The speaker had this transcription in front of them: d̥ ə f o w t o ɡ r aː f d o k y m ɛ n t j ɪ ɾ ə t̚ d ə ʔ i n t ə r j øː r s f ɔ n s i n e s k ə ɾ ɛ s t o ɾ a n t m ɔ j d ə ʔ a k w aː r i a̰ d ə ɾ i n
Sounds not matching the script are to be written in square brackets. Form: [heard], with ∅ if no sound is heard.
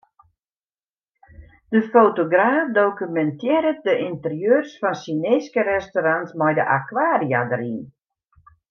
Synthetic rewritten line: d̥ ə f o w t o ɡ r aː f d o k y m ɛ n t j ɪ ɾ ə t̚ d ə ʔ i n t ə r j øː r s f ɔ n s i n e s k ə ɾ ɛ s t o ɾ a n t m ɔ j d ə ʔ a k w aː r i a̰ d ə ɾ i n